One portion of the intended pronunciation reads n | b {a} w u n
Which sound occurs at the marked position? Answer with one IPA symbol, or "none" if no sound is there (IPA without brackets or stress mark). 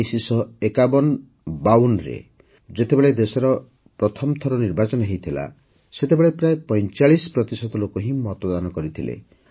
a